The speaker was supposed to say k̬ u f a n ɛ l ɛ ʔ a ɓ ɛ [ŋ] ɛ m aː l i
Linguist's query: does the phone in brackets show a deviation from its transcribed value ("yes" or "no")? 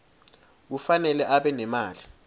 yes